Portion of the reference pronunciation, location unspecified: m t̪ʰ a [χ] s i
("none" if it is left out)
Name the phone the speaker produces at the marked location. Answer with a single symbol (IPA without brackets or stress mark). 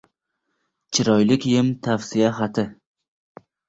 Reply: f